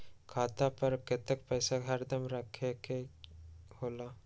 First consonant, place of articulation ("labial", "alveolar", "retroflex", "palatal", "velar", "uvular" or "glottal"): velar